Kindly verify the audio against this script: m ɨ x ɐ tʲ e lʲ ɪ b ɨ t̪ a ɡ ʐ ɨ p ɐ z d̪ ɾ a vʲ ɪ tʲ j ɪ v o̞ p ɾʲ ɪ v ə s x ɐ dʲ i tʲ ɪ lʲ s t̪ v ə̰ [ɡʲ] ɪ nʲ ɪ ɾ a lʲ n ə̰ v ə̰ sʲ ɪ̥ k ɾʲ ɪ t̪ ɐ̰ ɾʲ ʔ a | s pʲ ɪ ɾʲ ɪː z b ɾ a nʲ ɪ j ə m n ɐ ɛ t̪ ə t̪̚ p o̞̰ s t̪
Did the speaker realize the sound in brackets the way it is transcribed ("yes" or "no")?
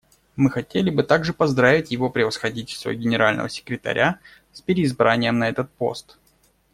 yes